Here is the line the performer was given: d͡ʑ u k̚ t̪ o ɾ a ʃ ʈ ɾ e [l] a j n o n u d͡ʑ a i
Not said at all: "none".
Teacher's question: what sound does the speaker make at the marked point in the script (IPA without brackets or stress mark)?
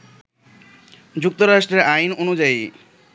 ɾ